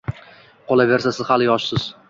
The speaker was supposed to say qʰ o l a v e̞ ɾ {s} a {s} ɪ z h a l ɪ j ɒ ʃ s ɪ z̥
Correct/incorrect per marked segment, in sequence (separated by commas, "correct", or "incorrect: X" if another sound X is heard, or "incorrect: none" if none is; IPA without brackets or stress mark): correct, correct